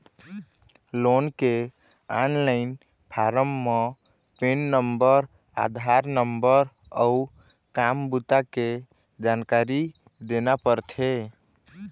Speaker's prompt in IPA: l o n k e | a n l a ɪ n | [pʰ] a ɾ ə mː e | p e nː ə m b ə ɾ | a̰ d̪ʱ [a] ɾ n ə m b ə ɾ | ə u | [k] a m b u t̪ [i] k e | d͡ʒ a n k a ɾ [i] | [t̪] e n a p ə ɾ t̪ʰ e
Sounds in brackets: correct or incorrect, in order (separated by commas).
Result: correct, correct, correct, incorrect, correct, incorrect